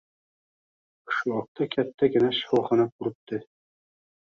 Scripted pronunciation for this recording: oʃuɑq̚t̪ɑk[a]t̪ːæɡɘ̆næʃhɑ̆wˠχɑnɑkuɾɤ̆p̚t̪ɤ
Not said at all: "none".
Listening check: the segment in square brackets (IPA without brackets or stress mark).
æ